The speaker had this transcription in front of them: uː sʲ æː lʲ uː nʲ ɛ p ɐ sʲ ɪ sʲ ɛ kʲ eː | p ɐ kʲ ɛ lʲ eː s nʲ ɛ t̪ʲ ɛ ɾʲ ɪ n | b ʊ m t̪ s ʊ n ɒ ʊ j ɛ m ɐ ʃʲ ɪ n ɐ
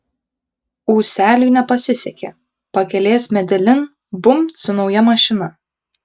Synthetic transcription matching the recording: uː sʲ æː lʲ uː nʲ ɛ p ɐ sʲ ɪ sʲ ɛ kʲ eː | p ɐ kʲ ɛ lʲ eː s mʲ ɛ d̪ʲ ɛ lʲ ɪ n | b ʊ m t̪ s ʊ n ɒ ʊ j ɛ m ɐ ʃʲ ɪ n ɐ